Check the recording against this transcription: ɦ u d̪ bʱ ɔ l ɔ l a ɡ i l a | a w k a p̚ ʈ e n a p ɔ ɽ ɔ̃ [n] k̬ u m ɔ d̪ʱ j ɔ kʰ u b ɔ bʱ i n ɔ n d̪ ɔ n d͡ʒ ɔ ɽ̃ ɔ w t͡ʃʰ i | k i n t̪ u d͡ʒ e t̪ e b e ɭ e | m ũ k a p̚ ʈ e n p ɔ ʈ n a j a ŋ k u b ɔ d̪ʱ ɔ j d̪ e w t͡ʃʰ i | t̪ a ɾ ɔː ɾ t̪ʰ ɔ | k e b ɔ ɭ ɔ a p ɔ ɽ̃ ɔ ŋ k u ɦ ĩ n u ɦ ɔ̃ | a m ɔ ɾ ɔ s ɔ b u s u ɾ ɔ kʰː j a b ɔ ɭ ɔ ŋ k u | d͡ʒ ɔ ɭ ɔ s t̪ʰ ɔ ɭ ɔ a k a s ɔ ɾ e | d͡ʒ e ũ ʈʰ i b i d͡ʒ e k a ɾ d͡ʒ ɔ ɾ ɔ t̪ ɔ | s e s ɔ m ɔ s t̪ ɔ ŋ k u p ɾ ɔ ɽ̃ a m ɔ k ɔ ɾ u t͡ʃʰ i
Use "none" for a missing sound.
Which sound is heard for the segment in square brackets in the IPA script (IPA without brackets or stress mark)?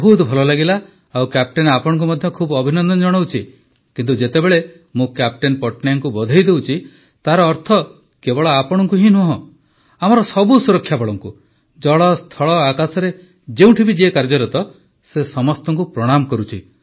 ŋ